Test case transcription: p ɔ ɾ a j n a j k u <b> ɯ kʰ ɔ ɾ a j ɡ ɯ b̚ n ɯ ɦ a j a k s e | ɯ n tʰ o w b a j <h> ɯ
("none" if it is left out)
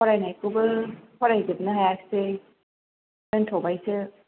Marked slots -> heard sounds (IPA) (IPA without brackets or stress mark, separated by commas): b, s